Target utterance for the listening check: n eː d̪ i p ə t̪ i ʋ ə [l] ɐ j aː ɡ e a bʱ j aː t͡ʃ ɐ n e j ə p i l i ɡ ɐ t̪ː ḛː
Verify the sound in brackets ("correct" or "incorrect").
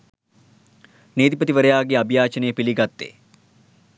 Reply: incorrect